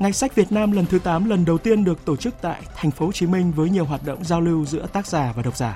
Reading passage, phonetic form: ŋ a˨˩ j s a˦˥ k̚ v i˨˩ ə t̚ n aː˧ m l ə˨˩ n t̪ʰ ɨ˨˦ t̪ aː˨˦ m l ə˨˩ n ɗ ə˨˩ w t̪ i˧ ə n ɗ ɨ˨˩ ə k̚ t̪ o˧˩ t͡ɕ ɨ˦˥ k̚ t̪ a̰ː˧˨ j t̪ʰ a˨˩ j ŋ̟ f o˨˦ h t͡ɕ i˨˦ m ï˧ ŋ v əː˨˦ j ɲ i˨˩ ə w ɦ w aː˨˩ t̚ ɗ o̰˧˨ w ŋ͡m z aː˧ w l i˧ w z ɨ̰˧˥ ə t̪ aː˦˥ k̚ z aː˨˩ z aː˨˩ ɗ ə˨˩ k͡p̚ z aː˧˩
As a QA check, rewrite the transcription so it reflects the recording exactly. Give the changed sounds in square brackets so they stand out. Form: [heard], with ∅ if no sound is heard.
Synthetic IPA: ŋ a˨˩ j s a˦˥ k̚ v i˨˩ ə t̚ n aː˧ m l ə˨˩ n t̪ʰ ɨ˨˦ t̪ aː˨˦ m l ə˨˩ n ɗ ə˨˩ w t̪ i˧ ə n ɗ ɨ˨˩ ə k̚ t̪ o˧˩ t͡ɕ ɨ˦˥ k̚ t̪ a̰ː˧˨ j t̪ʰ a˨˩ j ŋ̟ f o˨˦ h t͡ɕ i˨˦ m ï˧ ŋ v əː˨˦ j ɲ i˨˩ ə w ɦ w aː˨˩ t̚ ɗ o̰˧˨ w ŋ͡m z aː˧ w l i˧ w z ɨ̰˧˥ ə t̪ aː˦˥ k̚ z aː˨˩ [v] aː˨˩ ɗ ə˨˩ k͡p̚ z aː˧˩